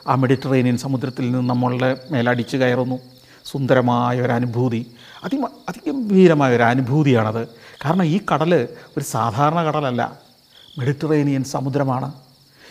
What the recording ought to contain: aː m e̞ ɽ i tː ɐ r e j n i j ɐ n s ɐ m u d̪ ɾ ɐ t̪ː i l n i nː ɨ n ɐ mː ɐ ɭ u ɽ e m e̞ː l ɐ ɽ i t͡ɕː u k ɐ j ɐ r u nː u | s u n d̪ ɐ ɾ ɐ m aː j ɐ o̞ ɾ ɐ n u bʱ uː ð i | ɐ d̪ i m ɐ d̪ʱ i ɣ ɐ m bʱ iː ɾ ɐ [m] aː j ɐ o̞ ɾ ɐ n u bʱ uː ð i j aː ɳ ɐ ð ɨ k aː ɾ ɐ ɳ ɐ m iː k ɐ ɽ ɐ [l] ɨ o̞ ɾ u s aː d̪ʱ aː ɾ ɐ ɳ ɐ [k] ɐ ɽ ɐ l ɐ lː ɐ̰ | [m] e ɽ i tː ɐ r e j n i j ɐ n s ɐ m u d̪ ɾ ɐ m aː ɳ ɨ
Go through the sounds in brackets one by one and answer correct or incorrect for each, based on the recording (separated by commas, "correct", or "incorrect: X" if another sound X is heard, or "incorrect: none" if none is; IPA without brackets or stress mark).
correct, correct, correct, correct